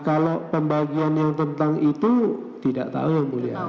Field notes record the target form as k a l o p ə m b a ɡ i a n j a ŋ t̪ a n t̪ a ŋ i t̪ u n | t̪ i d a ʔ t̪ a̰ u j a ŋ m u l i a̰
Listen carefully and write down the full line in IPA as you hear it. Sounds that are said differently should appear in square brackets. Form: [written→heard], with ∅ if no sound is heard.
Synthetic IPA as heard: k a l o p ə m b a ɡ i a n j a ŋ t̪ [a→ə] n t̪ a ŋ i t̪ u [n→∅] | t̪ i d a ʔ t̪ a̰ u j a ŋ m u l i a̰

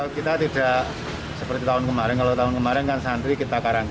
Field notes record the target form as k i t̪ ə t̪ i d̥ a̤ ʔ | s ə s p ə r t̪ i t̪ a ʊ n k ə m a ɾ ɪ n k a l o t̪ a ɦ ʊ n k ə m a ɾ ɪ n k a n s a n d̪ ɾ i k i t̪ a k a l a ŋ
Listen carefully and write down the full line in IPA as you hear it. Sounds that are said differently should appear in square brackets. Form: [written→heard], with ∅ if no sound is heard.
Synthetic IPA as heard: k i t̪ [ə→a] t̪ i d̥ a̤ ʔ | s ə [s→∅] p ə r t̪ i t̪ a ʊ n k ə m a ɾ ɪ n k a l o t̪ a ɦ ʊ n k ə m a ɾ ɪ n k a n s a n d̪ ɾ i k i t̪ a k a [l→ɾ] a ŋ

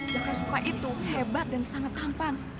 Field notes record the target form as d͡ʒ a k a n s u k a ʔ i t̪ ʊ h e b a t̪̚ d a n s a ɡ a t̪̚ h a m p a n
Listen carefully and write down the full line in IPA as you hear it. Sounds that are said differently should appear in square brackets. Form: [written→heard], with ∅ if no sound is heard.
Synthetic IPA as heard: d͡ʒ a k a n s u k a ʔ i t̪ [ʊ→u] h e b a t̪̚ d a n s a [ɡ→ŋ] a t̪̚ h a m p a n

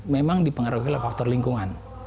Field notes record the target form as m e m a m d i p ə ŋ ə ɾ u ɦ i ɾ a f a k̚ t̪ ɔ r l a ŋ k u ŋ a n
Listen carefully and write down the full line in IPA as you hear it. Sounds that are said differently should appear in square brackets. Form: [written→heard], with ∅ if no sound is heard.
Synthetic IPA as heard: m e m a [m→ŋ] d i p ə ŋ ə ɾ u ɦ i [ɾ→l] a f a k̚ t̪ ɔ r l [a→i] ŋ k u ŋ a n

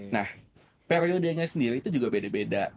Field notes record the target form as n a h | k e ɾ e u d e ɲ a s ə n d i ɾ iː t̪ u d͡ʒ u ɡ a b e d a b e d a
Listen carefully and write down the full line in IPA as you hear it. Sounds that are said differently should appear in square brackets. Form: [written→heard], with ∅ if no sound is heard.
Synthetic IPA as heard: n a h | [k→p] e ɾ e [u→o] d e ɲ a s ə n d i ɾ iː t̪ u d͡ʒ u ɡ a b e d a b e d a

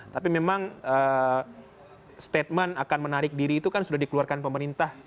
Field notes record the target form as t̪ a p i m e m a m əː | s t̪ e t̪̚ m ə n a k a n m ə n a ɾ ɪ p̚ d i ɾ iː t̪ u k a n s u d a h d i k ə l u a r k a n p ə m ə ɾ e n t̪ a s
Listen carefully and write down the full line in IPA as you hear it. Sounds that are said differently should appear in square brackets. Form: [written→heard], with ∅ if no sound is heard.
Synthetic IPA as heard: t̪ a p i m e m a [m→ŋ] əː | s t̪ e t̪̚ m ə n a k a n m ə n a ɾ ɪ [p̚→k̚] d i ɾ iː t̪ u k a n s u d a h d i k ə l u a r k a n p ə m ə ɾ [e→i] n t̪ a [s→h]

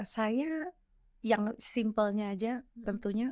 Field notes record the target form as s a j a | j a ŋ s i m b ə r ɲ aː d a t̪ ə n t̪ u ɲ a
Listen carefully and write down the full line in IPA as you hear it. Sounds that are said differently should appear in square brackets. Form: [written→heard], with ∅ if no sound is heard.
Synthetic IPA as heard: s a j a | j a ŋ s i m [b→p] ə [r→l] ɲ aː [d→d͡ʒ] a t̪ ə n t̪ u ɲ a

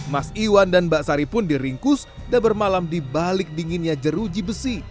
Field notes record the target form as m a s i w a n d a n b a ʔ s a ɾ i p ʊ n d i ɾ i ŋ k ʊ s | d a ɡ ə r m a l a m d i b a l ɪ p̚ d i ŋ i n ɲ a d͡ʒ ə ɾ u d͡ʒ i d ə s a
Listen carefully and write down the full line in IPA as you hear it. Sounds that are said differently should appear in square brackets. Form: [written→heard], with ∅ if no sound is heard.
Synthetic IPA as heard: m a s i w a n d a n b a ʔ s a ɾ i p ʊ n d i ɾ i ŋ k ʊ s | d a [ɡ→b] ə r m a l a m d i b a l ɪ [p̚→k̚] d i ŋ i n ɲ a d͡ʒ ə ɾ u d͡ʒ i [d→b] ə s [a→i]

